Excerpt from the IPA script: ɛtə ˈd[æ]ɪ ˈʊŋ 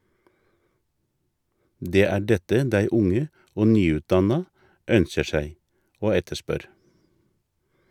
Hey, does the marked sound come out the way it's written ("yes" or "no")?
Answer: yes